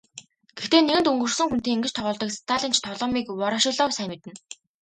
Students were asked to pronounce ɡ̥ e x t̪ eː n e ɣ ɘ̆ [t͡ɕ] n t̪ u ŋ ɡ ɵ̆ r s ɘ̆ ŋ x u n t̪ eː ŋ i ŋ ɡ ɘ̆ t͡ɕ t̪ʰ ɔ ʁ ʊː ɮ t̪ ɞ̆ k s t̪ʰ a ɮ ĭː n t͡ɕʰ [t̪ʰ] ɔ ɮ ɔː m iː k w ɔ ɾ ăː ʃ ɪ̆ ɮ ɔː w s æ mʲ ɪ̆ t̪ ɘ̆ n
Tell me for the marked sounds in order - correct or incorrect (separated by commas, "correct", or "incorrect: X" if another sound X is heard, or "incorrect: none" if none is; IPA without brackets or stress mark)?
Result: incorrect: none, correct